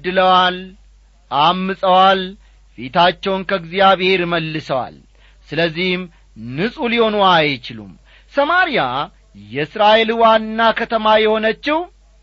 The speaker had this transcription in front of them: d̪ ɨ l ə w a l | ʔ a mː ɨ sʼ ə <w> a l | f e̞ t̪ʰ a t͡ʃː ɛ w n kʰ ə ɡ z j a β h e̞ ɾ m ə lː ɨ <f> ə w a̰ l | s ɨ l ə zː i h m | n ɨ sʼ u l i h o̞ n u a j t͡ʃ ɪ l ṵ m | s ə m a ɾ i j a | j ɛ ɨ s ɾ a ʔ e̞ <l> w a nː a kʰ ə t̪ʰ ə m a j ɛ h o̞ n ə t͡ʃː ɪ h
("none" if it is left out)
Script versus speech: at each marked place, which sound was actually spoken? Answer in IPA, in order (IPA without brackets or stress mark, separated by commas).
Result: w, s, l